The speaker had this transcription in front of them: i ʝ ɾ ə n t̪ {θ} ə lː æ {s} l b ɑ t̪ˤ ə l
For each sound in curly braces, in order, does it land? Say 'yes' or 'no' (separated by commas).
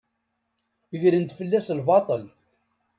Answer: no, yes